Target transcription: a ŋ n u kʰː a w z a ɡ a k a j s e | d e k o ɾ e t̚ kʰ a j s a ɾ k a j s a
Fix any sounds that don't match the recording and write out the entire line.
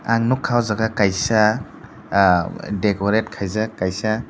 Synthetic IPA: a ŋ n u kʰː a w z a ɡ a k a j s a | d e k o ɾ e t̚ kʰ a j z a k a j s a